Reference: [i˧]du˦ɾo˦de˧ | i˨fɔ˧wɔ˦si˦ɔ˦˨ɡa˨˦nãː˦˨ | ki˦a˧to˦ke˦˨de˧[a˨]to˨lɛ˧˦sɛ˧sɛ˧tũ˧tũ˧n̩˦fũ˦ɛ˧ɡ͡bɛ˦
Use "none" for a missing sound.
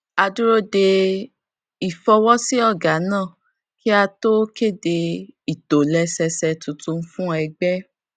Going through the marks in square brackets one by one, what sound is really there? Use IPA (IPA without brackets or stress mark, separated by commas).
a˧, i˨